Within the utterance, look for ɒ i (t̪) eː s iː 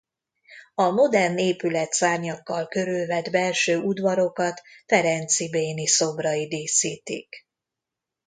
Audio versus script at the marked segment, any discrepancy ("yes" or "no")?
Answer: yes